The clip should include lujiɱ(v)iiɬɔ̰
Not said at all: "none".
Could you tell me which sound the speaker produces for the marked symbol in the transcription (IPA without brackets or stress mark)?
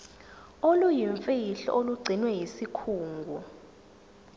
f